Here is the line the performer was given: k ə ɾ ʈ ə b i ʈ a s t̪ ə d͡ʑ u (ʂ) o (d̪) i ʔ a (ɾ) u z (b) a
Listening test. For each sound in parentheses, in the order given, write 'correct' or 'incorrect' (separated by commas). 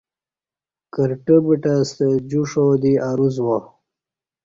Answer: correct, correct, correct, incorrect